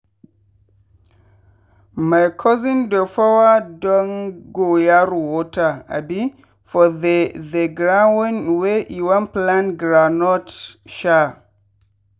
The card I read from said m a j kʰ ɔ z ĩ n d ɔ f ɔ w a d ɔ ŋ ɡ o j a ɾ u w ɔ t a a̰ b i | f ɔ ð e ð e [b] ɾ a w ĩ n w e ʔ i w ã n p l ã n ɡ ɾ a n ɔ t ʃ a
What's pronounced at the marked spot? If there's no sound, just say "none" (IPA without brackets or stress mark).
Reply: ɡ